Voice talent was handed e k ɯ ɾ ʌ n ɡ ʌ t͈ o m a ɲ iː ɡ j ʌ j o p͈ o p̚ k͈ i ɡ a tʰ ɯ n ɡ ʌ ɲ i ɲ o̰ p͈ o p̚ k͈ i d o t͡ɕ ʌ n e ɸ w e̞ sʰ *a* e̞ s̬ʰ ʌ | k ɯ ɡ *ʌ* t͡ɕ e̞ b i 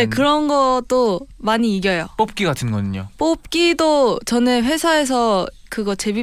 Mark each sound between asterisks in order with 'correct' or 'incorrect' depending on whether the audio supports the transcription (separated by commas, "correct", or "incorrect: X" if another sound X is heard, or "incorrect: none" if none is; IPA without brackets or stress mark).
correct, correct